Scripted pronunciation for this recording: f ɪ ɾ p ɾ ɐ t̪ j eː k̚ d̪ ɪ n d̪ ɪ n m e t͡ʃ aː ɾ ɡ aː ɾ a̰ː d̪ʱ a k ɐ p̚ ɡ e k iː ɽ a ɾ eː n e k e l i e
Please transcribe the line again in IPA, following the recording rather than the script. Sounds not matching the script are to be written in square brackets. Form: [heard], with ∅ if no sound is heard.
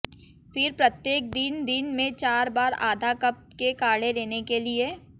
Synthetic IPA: f ɪ ɾ p ɾ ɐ t̪ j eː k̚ d̪ ɪ n d̪ ɪ n m [ẽ] t͡ʃ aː ɾ [b] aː ɾ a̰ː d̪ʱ a k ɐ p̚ [k] e k [aː] ɽ [e] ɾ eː n e k e l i e